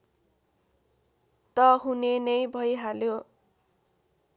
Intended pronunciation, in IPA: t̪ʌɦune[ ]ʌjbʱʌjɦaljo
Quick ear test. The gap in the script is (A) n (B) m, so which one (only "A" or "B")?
A